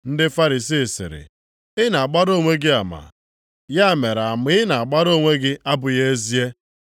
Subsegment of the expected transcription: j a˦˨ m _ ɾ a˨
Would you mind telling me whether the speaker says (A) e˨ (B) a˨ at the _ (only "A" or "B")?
A